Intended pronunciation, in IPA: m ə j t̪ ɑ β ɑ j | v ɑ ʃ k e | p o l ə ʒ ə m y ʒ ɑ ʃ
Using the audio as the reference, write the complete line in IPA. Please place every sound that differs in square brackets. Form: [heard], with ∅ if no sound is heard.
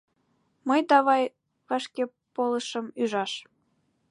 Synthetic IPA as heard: m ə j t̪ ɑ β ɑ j | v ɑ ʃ k e | p o l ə [ʃ] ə m y ʒ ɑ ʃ